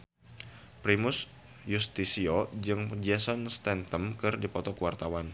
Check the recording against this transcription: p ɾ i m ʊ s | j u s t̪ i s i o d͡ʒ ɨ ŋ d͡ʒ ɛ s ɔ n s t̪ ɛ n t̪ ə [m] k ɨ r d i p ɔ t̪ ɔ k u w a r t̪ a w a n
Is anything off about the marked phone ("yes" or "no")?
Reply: no